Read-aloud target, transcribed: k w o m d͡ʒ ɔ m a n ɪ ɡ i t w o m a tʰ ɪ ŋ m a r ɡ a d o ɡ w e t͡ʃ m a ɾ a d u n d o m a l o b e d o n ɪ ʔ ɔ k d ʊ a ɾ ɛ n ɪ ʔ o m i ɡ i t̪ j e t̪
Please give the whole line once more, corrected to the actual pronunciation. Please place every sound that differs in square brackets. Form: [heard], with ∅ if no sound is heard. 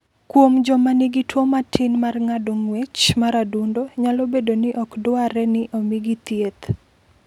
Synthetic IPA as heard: k w o m d͡ʒ ɔ m a n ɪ ɡ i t w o m a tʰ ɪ [n] m a r [ŋ] a d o [ŋ] w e t͡ʃ m a ɾ a d u n d o [ɲ] a l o b e d o n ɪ ʔ ɔ k d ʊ a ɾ ɛ n ɪ ʔ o m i ɡ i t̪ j e t̪